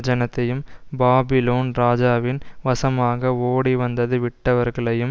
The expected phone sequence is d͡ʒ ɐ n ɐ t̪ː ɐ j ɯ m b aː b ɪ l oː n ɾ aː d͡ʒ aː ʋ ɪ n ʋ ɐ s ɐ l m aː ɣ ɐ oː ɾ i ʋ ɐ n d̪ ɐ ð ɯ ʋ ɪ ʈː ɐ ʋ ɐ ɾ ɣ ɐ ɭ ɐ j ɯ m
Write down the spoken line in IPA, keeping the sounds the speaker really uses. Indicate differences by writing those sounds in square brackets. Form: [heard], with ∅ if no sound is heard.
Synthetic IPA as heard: d͡ʒ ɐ n ɐ t̪ː ɐ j ɯ m b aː b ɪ l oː n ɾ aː d͡ʒ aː ʋ ɪ n ʋ ɐ s ɐ [∅] m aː ɣ ɐ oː [ɽ] i ʋ ɐ n d̪ ɐ ð ɯ ʋ ɪ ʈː ɐ ʋ ɐ ɾ ɣ ɐ ɭ ɐ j ɯ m